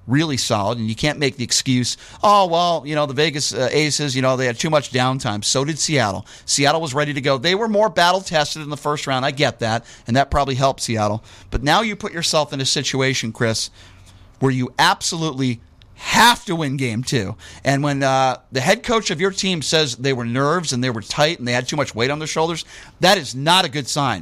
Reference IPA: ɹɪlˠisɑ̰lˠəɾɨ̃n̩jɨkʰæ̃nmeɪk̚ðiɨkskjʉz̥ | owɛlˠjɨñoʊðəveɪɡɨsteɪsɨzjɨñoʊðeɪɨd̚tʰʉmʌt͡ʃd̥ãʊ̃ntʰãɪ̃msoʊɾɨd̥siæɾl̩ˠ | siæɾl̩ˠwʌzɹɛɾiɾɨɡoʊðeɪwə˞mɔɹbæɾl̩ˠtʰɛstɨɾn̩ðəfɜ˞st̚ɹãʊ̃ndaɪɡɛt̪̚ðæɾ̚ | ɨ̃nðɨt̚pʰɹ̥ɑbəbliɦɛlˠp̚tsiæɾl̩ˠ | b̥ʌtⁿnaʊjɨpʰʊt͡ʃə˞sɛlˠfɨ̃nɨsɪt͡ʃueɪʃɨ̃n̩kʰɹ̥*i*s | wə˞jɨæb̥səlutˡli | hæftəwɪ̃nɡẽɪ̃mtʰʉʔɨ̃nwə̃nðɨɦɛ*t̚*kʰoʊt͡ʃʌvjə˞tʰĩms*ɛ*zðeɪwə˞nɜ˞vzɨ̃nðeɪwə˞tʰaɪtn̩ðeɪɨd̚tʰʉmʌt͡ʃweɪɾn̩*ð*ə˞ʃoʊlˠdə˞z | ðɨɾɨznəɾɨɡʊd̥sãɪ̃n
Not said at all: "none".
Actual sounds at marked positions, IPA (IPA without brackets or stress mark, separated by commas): ɪ, d̚, ɛ, ð